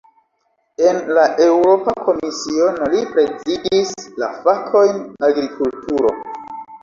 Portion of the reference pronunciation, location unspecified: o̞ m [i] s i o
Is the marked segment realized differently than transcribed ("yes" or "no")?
no